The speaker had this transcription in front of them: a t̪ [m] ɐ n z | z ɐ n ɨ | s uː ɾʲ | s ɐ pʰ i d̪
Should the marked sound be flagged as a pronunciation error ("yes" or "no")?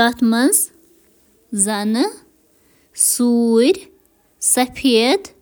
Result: no